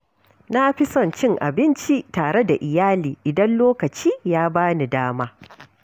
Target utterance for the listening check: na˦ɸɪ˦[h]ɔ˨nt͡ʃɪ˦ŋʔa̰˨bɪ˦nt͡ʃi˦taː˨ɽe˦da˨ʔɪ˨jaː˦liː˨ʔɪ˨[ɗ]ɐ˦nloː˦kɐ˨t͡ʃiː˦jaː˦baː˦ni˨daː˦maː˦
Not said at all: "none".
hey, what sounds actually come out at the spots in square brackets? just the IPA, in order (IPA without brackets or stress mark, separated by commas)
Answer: s, d